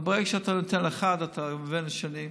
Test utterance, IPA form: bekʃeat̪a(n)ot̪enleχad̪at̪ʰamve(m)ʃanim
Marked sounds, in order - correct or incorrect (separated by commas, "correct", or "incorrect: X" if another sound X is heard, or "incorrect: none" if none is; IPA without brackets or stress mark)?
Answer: correct, incorrect: n